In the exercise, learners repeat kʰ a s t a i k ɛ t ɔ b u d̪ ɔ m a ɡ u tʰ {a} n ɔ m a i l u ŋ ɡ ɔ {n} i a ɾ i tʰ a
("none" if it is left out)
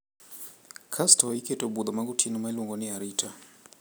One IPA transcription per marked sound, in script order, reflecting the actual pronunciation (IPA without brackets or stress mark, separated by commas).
i, n